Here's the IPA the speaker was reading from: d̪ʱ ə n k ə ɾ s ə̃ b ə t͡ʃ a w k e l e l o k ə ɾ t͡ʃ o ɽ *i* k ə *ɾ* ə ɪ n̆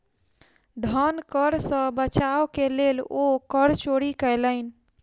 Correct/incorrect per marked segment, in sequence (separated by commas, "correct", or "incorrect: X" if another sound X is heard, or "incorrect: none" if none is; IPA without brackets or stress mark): correct, incorrect: l